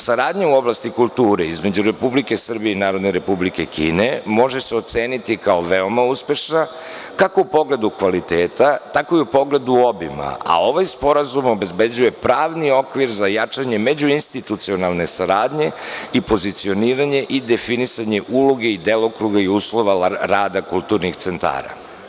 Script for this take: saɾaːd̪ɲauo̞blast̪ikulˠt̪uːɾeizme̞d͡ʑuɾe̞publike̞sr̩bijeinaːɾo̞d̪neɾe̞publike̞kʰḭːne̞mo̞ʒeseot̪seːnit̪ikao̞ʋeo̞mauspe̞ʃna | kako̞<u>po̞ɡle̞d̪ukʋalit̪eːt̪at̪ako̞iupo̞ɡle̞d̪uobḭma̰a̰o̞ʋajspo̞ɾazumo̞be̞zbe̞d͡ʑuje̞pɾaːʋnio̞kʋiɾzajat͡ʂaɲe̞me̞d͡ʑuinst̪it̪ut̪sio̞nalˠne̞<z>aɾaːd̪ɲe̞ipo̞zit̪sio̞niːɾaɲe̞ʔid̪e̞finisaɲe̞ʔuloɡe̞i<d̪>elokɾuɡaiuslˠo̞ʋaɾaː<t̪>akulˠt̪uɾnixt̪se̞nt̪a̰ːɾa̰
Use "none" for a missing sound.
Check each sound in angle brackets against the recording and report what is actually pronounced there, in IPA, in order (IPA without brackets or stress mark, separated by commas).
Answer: u, s, d̪, d̪